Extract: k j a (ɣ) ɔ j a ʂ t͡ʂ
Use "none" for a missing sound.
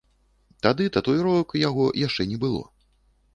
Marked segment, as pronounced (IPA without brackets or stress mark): ɣ